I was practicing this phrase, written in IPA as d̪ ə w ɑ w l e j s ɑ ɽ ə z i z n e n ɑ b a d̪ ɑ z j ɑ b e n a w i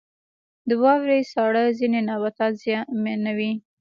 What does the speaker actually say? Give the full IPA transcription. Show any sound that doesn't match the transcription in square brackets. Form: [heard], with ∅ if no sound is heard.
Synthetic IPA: d̪ ə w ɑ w [ɾ] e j s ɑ ɽ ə z i [∅] n e n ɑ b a [t̪] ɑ z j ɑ [m] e n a w i